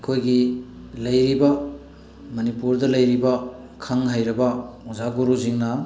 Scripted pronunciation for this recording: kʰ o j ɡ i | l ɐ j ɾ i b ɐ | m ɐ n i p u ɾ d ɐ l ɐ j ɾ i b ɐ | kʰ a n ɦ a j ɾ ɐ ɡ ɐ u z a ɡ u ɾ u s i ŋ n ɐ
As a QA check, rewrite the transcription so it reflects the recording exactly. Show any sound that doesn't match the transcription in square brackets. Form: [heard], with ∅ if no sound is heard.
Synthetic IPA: kʰ o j ɡ i | l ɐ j ɾ i b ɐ | m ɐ n i p u ɾ d ɐ l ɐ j ɾ i b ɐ | kʰ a [ŋ] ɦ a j ɾ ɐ [b] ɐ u z a ɡ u ɾ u [z] i ŋ n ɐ